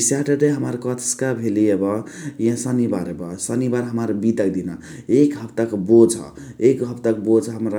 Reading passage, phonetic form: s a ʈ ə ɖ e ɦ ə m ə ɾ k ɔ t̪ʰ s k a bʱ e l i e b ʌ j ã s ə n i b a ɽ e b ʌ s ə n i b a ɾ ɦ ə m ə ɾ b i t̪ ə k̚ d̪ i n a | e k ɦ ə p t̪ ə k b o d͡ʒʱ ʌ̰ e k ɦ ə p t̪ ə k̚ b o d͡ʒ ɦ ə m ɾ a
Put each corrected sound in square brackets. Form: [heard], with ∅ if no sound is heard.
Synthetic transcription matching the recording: s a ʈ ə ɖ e ɦ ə m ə ɾ k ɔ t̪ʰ s k a bʱ e l i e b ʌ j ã s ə n i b a [ɾ] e b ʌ s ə n i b a ɾ ɦ ə m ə ɾ b i t̪ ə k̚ d̪ i n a | e k ɦ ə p t̪ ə k b o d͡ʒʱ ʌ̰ e k ɦ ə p t̪ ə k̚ b o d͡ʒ ɦ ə m ɾ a